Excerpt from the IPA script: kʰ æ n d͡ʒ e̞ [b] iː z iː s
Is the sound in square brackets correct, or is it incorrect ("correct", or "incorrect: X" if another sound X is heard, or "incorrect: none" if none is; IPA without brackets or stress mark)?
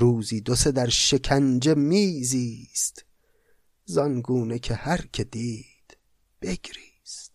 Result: incorrect: m